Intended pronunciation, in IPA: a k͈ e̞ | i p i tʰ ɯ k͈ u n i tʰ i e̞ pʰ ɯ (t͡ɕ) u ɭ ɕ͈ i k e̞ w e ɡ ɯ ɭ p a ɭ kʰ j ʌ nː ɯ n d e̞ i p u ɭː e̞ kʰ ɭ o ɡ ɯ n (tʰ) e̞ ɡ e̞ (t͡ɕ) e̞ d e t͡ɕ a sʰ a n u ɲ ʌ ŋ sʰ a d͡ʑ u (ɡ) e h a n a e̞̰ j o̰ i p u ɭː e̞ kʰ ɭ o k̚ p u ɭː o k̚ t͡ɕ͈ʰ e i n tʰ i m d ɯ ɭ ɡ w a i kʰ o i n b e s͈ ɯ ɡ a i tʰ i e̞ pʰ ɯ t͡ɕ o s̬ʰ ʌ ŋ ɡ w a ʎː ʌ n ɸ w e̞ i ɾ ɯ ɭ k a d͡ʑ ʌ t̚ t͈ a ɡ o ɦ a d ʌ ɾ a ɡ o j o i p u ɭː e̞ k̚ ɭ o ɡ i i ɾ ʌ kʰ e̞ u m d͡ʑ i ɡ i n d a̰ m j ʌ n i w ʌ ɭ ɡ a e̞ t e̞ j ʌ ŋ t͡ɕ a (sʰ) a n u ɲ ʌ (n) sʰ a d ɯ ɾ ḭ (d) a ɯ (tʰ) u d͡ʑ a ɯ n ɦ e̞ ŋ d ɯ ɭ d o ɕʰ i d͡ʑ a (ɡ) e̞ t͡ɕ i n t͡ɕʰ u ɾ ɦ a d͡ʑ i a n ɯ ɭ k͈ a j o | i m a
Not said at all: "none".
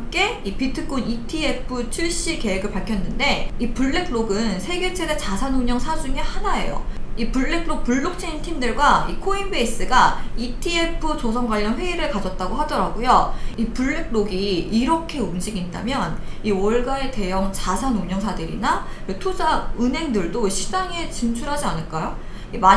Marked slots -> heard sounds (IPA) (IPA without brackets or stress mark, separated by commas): t͡ɕʰ, sʰ, t͡ɕʰ, ŋ, sʰ, ŋ, n, tʰ, ŋ